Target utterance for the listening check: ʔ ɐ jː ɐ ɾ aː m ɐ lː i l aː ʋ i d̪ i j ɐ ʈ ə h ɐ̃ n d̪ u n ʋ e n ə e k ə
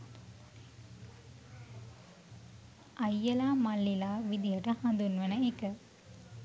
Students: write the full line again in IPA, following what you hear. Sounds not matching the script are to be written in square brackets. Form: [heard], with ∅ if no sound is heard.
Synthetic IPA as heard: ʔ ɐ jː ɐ [l] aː m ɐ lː i l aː ʋ i d̪ i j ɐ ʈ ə h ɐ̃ n d̪ u n ʋ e n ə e k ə